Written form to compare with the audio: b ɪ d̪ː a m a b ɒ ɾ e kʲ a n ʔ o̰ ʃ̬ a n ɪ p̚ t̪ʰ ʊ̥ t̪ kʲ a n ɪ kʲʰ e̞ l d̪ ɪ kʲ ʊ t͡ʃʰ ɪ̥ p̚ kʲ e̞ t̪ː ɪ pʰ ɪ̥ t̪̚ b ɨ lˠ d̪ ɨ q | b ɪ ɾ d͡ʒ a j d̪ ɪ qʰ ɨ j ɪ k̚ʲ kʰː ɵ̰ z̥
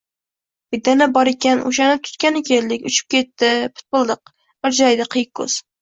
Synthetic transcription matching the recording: b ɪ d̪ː a n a b ɒ ɾ e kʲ a n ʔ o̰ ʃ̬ a n ɪ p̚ t̪ʰ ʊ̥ t̪ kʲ a n ɪ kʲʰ e̞ l d̪ ɪ kʲ ʊ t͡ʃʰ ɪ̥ p̚ kʲ e̞ t̪ː ɪ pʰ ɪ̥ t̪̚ b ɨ lˠ d̪ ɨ q | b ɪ ɾ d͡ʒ a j d̪ ɪ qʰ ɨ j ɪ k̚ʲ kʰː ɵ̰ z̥